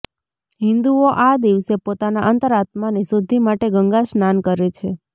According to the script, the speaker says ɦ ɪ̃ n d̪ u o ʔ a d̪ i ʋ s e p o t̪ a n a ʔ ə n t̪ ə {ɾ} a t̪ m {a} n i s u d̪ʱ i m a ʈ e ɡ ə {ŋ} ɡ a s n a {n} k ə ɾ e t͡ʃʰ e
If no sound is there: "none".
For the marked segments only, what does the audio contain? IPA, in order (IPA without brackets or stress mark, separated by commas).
ɾ, a, ŋ, n